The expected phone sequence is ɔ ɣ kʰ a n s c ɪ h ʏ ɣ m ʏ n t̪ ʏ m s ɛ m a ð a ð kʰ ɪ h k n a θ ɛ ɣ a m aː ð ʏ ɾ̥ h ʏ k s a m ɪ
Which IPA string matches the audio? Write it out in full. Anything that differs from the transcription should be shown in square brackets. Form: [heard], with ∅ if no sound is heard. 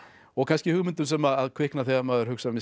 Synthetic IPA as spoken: ɔ ɣ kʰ a n s c ɪ h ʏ ɣ m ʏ n t̪ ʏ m s ɛ m a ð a ð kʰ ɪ h k n a θ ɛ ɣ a m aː ð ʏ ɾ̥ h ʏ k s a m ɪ